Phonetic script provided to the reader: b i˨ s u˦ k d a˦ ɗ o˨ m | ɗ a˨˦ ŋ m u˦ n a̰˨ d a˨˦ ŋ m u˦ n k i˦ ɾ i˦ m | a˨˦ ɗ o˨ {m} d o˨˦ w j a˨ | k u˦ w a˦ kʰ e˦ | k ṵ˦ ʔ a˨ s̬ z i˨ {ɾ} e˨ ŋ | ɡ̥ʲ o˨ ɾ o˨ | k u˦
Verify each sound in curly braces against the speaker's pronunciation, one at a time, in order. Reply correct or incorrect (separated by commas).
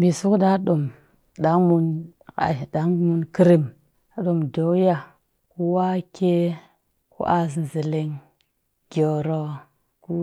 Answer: correct, incorrect